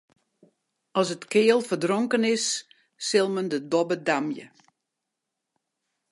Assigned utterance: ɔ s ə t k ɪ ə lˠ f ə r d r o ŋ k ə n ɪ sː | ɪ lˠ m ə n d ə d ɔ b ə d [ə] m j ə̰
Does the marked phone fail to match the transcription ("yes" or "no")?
yes